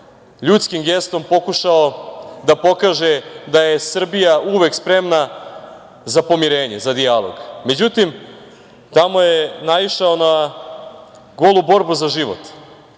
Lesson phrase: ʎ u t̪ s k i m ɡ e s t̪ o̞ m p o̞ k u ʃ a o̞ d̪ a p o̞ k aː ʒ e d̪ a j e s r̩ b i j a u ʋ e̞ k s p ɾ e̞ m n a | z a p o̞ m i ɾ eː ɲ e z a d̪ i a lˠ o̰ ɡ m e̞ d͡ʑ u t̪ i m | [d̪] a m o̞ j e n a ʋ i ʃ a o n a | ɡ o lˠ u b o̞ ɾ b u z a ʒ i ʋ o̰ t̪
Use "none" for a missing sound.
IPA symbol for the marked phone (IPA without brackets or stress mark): t̪